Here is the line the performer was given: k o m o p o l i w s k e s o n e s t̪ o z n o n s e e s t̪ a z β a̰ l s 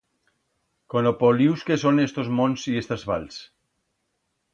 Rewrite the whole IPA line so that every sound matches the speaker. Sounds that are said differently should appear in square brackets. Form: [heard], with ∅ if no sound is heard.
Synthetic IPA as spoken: k o [n] o p o l i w s k e s o n e s t̪ o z [m] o n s [i] e s t̪ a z β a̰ l s